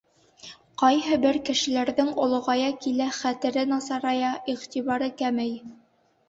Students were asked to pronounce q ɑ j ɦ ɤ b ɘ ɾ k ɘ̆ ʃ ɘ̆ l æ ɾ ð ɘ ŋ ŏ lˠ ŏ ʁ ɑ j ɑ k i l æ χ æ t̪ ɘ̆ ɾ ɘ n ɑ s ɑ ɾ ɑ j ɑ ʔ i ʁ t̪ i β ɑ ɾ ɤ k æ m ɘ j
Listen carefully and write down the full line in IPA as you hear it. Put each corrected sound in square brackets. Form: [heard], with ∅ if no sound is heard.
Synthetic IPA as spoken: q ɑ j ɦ ɤ b ɘ ɾ k ɘ̆ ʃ ɘ̆ l æ ɾ ð ɘ ŋ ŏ lˠ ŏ ʁ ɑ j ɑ k i l æ χ æ t̪ ɘ̆ ɾ ɘ n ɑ s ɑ ɾ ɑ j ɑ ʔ i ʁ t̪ i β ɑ ɾ ɤ k æ m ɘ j